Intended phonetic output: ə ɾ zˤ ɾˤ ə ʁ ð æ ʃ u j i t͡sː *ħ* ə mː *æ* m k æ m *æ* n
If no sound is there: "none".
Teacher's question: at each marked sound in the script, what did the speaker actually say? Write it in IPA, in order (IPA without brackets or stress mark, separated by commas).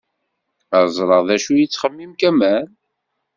χ, i, æ